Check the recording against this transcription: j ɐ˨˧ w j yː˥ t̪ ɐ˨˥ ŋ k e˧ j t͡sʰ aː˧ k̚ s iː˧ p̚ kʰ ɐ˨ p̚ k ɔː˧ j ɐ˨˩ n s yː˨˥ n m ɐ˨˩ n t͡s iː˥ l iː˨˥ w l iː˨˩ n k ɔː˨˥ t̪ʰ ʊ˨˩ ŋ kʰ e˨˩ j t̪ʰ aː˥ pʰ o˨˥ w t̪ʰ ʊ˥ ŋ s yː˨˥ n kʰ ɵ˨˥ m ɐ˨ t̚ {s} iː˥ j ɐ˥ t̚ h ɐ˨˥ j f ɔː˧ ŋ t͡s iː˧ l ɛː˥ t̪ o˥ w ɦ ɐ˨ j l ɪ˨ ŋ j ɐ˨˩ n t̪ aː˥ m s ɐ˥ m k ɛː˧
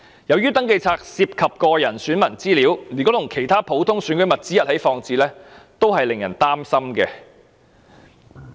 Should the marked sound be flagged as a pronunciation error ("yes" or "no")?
yes